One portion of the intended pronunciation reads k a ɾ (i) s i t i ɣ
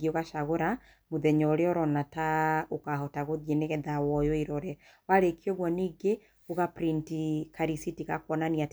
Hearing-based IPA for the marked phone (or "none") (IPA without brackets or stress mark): i